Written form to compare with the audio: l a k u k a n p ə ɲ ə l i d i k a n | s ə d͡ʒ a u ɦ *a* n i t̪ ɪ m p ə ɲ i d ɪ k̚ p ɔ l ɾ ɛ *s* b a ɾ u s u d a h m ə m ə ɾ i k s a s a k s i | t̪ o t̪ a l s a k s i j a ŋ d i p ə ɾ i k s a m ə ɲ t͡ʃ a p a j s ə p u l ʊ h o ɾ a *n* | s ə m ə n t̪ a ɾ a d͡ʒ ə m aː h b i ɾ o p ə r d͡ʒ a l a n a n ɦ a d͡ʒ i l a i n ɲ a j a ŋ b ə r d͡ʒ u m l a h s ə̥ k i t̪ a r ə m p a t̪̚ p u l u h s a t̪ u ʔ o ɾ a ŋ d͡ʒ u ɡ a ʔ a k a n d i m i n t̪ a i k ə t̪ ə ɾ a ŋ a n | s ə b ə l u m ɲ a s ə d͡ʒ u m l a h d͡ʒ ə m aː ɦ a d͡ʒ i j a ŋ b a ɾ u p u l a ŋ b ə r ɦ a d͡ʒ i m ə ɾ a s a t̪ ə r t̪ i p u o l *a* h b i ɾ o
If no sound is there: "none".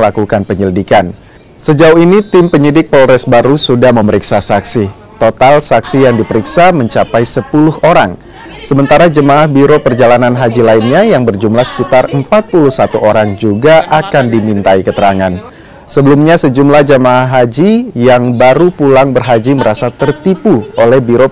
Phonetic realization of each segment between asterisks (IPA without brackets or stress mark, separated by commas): i, s, ŋ, ɛ